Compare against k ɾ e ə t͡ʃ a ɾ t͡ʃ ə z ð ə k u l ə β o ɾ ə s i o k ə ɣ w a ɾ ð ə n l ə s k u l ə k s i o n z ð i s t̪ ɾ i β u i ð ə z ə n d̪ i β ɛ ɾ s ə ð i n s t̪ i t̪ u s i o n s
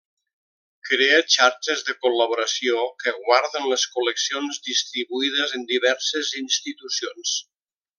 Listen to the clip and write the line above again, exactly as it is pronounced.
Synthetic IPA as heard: k ɾ e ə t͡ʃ a ɾ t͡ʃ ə z ð ə k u l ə β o ɾ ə s i o k ə ɣ w a ɾ ð ə n l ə s k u l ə k s i o n z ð i s t̪ ɾ i β u i ð ə z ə n d̪ i β ɛ ɾ s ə z i n s t̪ i t̪ u s i o n s

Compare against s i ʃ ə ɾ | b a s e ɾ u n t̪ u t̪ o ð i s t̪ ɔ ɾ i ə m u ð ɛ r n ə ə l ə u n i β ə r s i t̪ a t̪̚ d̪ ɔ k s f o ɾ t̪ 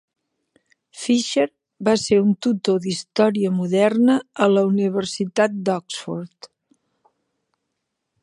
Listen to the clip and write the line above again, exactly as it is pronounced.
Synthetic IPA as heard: f i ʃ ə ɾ | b a s e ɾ u n t̪ u t̪ o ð i s t̪ ɔ ɾ i ə m u ð ɛ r n ə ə l ə u n i β ə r s i t̪ a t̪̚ d̪ ɔ k s f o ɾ t̪

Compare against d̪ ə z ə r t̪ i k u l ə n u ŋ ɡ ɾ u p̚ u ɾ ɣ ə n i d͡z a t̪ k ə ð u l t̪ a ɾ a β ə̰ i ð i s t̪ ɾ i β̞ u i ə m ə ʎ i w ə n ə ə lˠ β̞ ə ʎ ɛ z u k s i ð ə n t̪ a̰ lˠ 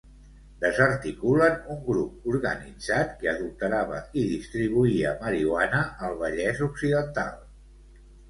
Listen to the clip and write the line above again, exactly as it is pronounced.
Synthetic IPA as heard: d̪ ə z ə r t̪ i k u l ə n u ŋ ɡ ɾ u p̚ u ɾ ɣ ə n i d͡z a t̪ k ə ð u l t̪ ə ɾ a β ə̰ i ð i s t̪ ɾ i β̞ u i ə m ə ɾ i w a n ə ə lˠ β̞ ə ʎ ɛ z u k s i ð ə n t̪ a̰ lˠ

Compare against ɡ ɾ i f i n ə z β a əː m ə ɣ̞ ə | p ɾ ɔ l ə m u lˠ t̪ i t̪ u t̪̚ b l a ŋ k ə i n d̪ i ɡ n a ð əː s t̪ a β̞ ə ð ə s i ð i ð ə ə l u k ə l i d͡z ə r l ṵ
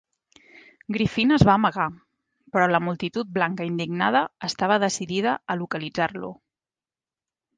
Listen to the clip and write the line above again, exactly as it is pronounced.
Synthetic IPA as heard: ɡ ɾ i f i n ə z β a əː m ə ɣ̞ a | p ɾ ɔ l ə m u lˠ t̪ i t̪ u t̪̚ b l a ŋ k ə i n d̪ i ɡ n a ð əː s t̪ a β̞ ə ð ə s i ð i ð ə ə l u k ə l i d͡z a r l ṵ

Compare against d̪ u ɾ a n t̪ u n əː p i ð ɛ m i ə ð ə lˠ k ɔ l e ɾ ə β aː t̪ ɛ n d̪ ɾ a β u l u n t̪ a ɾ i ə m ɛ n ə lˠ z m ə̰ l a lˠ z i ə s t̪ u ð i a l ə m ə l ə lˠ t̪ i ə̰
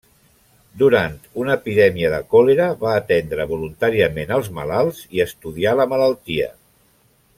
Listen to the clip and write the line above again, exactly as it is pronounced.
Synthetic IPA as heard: d̪ u ɾ a n t̪ u n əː p i ð ɛ m i ə ð ə k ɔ l e ɾ ə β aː t̪ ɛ n d̪ ɾ ə β u l u n t̪ a ɾ i ə m e n ə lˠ z m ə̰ l a lˠ z i ə s t̪ u ð i a l ə m ə l ə lˠ t̪ i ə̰

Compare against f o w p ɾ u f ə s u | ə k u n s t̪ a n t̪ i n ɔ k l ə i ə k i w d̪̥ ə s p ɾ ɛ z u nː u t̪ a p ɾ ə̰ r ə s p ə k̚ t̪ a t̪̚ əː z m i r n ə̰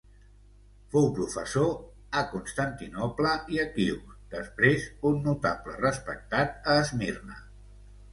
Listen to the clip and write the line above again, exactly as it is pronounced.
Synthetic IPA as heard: f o w p ɾ u f ə s o | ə k u n s t̪ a n t̪ i n ɔ p l ə i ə k i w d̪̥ ə s p ɾ e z u nː u t̪ a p l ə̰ r ə s p ə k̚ t̪ a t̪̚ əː z m i r n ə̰

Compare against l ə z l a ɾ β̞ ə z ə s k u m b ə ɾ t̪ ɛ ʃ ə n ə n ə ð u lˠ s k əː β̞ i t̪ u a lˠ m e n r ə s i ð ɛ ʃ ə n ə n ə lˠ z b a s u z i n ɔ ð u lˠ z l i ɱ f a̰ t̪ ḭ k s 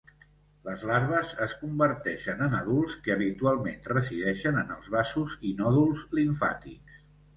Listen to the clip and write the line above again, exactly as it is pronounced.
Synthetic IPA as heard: l ə z l a ɾ β̞ ə z ə s k u m b ə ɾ t̪ ɛ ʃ ə n ə n ə ð u lˠ s k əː β̞ i t̪ u a lˠ m e n r ə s i ð ɛ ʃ ə n ə n ə lˠ z β a s u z i n ɔ ð u lˠ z l i ɱ f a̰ t̪ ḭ k s

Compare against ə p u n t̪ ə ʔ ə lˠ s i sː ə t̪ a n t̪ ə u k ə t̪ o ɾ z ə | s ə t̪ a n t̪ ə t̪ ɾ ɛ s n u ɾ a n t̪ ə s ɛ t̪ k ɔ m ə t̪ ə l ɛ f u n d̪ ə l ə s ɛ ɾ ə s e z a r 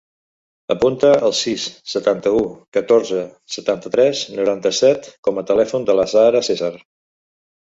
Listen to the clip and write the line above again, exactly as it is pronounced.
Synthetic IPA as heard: ə p u n t̪ ə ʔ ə lˠ s i sː ə t̪ a n t̪ ə u k ə t̪ o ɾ z ə | s ə t̪ a n t̪ ə t̪ ɾ ɛ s n u ɾ a n t̪ ə s ɛ t̪ k ɔ m ə t̪ ə l ɛ f u n d̪ ə l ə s a ɾ ə s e z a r

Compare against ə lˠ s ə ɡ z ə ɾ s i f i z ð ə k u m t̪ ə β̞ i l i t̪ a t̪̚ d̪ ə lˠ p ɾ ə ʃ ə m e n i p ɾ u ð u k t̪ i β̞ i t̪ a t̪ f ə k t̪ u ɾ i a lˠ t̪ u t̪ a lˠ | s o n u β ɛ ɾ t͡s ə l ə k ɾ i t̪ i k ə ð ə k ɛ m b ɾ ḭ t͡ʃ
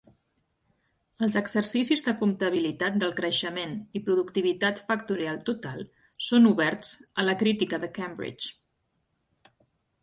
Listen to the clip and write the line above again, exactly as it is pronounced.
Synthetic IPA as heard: ə lˠ z ə ɡ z ə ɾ s i s i z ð ə k u m t̪ ə β̞ i l i t̪ a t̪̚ d̪ ə lˠ k ɾ ə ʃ ə m e n i p ɾ u ð u k t̪ i β̞ i t̪ a t̪ f ə k t̪ u ɾ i a lˠ t̪ u t̪ a lˠ | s o n u β ɛ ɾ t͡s ə l ə k ɾ i t̪ i k ə ð ə k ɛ m b ɾ ḭ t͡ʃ

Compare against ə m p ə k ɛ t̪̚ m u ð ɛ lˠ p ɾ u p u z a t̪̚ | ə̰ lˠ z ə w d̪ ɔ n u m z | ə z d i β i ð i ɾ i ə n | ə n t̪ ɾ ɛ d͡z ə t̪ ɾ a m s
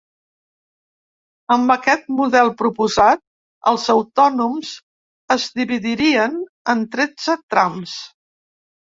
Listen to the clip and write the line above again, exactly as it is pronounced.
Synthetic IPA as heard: ə m b ə k ɛ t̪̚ m u ð ɛ lˠ p ɾ u p u z a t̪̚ | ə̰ lˠ z ə w t̪ ɔ n u m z | ə z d i β i ð i ɾ i ə n | ə n t̪ ɾ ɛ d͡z ə t̪ ɾ a m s

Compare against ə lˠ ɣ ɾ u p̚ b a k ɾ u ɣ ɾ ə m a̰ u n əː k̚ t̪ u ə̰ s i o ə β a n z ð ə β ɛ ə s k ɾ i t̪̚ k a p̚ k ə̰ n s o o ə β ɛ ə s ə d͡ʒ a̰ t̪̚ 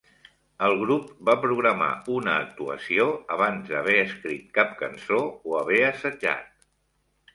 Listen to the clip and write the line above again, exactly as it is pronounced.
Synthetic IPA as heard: ə lˠ ɣ ɾ u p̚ b a p ɾ u ɣ ɾ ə m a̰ u n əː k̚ t̪ u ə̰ s i o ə β a n z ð ə β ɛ ə s k ɾ i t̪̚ k a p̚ k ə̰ n s o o ə β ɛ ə s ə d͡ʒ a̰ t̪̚

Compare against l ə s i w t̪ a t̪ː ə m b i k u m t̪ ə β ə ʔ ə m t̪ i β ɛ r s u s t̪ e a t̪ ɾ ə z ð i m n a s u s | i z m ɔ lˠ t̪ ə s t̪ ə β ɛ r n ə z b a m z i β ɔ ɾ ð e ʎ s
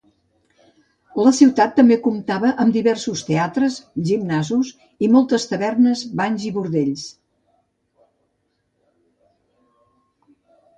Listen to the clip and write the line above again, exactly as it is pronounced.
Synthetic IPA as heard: l ə s i w t̪ a t̪ː ə m b e k u m t̪ a β ə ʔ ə m d̪ i β ɛ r s u s t̪ e a t̪ ɾ ə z ʒ i m n a z u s | i m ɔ lˠ t̪ ə s t̪ ə β ɛ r n ə z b a ɲ z i β u ɾ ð e ʎ s

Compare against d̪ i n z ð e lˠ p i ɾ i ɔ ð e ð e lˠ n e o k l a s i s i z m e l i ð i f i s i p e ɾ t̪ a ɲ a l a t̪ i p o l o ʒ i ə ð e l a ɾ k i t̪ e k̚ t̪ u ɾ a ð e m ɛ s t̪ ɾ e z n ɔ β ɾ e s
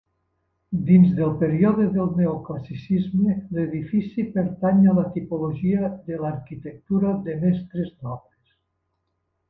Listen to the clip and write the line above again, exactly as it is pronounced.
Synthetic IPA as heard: d̪ i n z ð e lˠ p e ɾ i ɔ ð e ð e lˠ n e o k l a s i s i z m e l e ð i f i s i p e ɾ t̪ a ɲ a l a t̪ i p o l o ʒ i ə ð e l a ɾ k i t̪ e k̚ t̪ u ɾ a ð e m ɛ s t̪ ɾ e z n ɔ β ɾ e s

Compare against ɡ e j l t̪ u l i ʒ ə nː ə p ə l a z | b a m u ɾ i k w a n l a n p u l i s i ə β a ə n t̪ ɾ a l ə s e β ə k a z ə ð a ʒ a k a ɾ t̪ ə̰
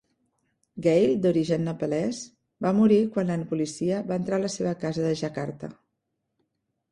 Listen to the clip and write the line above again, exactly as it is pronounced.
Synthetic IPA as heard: ɡ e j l d̪ u ɾ i ʒ ə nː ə p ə l ɛ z | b a m u ɾ i k w a n l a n p u l i s i ə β a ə n t̪ ɾ a l ə s e β ə k a z ə ð ə ʒ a k a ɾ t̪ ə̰

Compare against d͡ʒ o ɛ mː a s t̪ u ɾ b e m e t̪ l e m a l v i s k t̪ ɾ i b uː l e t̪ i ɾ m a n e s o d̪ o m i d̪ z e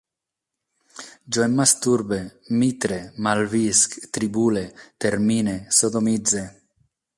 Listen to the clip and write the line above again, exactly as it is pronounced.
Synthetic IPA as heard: d͡ʒ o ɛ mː a s t̪ u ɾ b e m i t̪ ɾ e m a l v i s k t̪ ɾ i b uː l e t̪ e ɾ m i n e s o d̪ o m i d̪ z e

